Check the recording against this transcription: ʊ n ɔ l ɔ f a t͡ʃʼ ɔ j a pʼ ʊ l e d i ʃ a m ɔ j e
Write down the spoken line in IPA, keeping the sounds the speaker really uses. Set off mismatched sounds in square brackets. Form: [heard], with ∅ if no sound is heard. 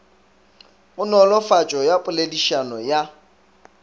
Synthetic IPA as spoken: ʊ n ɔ l ɔ f a t͡ʃʼ ɔ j a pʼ ʊ l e d i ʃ a [n] ɔ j [a]

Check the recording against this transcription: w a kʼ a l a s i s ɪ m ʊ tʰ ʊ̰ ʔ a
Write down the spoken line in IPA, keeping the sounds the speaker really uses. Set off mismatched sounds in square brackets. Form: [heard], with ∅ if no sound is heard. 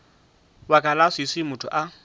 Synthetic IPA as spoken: w a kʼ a l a s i s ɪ m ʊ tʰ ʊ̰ ʔ a

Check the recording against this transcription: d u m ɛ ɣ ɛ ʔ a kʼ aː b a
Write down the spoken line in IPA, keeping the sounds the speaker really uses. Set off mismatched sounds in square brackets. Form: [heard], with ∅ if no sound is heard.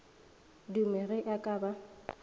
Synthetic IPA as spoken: d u m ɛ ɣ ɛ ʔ a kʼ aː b a

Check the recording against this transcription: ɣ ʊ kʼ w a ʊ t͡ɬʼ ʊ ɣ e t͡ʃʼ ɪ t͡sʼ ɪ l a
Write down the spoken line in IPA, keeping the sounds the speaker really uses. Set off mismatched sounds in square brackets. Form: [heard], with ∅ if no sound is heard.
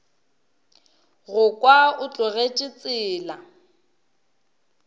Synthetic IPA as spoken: ɣ ʊ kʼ w a ʊ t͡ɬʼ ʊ ɣ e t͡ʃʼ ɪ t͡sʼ [ɪː] l a

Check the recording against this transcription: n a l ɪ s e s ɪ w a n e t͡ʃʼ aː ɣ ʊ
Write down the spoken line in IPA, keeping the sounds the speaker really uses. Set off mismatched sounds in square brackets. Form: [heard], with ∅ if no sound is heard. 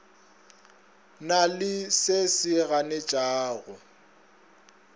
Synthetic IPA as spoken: n a l ɪ s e s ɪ [ɣ] a n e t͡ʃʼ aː ɣ ʊ

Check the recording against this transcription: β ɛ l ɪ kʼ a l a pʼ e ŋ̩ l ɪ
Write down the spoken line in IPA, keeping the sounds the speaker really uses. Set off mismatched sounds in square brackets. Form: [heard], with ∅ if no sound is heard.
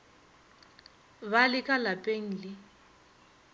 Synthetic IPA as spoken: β [a] l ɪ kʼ a l a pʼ e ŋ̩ l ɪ

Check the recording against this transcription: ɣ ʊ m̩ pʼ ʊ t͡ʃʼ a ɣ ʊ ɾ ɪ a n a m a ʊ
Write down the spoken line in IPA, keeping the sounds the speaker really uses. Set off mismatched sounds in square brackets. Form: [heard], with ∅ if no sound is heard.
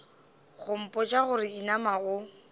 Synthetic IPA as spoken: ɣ ʊ m̩ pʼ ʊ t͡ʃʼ a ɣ ʊ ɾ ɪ [i] n a m a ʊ

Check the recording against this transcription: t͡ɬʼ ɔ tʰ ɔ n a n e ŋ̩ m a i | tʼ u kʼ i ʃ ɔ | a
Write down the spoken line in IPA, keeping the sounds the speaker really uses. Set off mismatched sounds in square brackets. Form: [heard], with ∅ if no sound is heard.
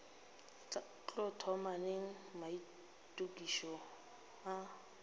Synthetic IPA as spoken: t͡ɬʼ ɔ tʰ ɔ [m] a n e ŋ̩ m a i | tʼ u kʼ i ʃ ɔ | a

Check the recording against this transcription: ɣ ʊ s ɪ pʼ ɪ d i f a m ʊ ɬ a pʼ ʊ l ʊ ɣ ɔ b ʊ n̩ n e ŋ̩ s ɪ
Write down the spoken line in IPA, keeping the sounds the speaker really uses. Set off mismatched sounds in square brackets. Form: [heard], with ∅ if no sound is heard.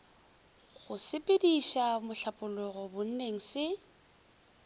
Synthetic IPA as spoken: ɣ ʊ s ɪ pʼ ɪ d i [ʃ] a m ʊ ɬ a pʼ ʊ l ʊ ɣ ɔ b ʊ n̩ n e ŋ̩ s ɪ

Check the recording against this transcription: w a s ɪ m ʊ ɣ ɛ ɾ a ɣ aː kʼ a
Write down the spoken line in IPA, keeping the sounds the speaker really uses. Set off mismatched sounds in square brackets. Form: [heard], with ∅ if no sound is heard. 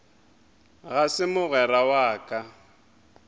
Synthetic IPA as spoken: [ɣ] a s ɪ m ʊ ɣ ɛ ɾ a [w] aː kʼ a

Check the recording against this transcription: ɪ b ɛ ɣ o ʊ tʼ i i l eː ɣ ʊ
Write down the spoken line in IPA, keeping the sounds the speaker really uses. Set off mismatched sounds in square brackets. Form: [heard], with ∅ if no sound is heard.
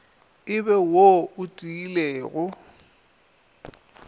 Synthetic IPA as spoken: ɪ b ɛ [w] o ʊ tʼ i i l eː ɣ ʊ

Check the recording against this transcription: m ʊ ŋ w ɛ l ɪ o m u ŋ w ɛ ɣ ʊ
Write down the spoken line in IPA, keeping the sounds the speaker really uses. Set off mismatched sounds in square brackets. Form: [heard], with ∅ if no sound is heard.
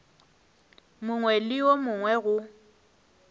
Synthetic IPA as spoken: m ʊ ŋ w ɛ l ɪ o m [ʊ] ŋ w ɛ ɣ ʊ

